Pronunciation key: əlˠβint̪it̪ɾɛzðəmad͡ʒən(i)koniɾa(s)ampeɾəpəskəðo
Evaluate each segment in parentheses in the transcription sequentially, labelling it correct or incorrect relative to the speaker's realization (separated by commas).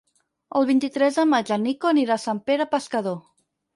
correct, correct